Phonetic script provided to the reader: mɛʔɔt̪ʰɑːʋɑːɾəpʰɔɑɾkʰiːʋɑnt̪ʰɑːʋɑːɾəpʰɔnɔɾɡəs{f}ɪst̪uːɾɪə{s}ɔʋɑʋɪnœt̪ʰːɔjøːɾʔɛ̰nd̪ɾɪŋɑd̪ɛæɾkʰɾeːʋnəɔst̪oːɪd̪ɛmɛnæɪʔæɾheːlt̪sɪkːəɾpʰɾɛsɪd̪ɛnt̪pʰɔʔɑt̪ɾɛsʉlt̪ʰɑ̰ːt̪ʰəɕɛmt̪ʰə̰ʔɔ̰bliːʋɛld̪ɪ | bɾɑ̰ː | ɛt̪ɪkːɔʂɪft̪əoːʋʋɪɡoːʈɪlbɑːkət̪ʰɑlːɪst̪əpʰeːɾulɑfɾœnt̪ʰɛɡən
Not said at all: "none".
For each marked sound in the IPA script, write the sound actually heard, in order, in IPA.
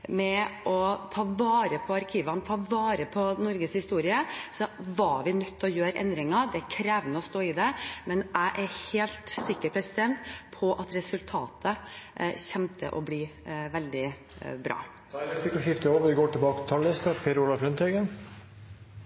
h, s

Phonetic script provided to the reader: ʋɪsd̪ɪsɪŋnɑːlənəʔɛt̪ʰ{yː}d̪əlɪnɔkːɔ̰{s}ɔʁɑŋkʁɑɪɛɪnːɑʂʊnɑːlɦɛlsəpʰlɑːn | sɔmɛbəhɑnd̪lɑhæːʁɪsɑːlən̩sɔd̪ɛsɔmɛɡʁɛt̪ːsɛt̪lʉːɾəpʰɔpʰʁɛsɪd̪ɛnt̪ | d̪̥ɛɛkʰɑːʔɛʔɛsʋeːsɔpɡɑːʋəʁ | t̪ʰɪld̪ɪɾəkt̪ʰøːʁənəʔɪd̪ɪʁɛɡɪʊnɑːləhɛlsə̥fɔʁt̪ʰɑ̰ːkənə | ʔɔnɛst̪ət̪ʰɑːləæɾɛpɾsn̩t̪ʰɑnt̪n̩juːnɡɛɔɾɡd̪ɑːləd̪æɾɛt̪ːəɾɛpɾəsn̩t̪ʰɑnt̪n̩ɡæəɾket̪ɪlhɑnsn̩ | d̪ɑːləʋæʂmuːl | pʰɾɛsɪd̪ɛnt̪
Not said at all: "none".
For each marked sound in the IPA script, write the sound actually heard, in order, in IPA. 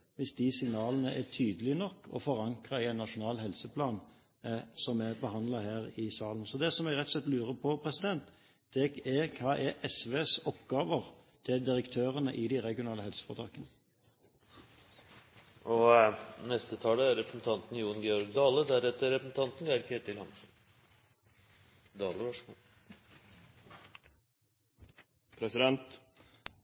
yː, f

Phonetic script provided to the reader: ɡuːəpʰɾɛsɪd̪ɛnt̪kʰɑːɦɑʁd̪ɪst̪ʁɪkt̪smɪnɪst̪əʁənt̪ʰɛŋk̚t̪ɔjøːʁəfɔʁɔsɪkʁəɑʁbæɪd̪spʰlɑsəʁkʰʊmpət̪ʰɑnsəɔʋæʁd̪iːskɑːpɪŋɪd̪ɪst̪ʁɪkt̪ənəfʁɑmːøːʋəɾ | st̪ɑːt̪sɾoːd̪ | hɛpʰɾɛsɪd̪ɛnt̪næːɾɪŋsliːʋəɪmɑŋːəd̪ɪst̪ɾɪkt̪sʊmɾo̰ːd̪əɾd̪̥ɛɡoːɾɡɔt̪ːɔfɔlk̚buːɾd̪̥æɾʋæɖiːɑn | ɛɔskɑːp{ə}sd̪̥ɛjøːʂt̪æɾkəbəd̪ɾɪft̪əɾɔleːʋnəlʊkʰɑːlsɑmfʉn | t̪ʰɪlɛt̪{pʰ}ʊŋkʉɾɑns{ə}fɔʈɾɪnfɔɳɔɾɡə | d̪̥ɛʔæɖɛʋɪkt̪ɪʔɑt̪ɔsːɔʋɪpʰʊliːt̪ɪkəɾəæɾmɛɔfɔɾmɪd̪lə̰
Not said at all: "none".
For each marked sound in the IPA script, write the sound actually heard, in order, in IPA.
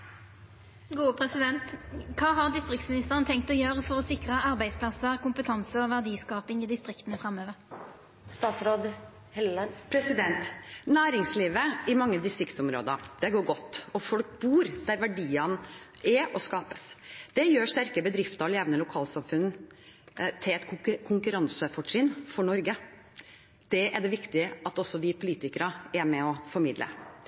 ə, kʰ, ə

